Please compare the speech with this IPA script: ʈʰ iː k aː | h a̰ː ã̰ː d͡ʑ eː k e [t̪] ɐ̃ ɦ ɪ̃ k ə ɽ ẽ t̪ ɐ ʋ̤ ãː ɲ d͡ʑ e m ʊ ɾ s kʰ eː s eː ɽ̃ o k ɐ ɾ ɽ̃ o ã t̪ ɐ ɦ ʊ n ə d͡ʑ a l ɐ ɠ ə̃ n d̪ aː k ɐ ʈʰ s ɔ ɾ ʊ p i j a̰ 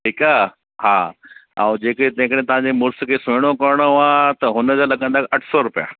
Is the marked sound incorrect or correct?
correct